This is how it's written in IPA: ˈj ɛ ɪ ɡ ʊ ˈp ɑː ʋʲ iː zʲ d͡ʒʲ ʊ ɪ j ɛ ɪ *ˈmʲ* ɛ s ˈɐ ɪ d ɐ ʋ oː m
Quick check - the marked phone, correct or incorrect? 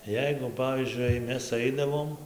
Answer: correct